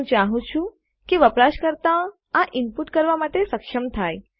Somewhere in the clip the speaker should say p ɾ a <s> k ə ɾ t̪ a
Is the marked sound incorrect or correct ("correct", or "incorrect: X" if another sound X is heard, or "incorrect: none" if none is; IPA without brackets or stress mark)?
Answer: incorrect: ʃ